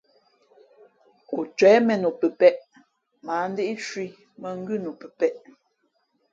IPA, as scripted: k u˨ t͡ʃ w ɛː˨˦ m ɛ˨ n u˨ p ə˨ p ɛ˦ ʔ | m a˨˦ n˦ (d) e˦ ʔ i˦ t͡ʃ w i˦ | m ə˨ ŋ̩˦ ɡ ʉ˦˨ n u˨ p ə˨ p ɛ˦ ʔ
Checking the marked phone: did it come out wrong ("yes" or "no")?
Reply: no